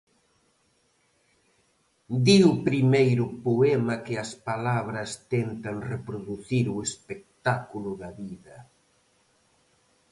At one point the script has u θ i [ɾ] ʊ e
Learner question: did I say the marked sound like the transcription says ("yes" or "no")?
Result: yes